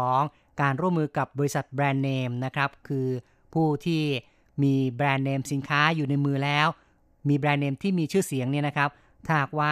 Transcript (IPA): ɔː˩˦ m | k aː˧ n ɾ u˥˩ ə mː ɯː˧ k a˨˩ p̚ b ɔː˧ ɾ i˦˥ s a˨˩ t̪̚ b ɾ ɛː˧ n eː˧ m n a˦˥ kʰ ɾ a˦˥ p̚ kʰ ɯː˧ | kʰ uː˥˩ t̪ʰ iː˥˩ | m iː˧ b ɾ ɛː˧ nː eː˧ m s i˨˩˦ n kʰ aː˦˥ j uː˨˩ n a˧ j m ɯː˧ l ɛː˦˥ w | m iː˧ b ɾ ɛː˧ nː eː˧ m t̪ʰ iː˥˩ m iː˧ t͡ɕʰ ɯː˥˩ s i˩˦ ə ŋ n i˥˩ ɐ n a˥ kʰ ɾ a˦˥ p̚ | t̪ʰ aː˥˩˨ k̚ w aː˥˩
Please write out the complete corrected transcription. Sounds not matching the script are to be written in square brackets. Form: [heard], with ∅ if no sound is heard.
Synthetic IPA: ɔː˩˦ [ŋ] | k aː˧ n ɾ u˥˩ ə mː ɯː˧ k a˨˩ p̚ b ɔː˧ ɾ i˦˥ s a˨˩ t̪̚ b ɾ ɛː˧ [nː] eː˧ m n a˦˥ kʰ ɾ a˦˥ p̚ kʰ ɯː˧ | [pʰ] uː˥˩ t̪ʰ iː˥˩ | m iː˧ b ɾ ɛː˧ nː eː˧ m s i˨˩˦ n kʰ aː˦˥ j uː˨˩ n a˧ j m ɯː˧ l ɛː˦˥ w | m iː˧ b ɾ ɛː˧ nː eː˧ m t̪ʰ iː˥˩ m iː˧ t͡ɕʰ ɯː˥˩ s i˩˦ ə ŋ n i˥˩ ɐ n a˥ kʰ ɾ a˦˥ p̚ | t̪ʰ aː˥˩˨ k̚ w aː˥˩